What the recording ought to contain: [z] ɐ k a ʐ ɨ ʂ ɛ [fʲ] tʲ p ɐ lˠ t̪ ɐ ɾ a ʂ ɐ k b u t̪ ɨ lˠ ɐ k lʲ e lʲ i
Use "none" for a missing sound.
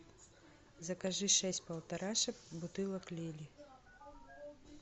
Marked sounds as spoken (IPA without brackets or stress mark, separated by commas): z, sʲ